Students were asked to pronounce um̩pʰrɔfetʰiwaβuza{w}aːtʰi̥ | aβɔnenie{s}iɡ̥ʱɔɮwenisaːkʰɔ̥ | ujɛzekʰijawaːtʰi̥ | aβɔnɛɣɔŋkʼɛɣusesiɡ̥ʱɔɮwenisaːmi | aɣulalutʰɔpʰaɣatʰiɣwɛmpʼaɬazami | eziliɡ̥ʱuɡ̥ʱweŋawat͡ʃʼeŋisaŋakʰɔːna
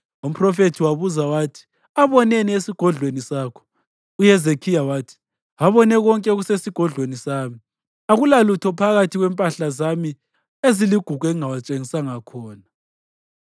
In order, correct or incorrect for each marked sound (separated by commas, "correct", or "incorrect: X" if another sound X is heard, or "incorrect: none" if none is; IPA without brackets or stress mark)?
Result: correct, correct